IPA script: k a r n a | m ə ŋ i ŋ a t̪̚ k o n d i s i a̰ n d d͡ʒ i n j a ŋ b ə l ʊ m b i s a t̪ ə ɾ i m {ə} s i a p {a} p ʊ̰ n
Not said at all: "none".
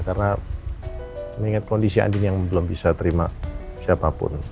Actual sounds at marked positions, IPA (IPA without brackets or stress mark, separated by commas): a, a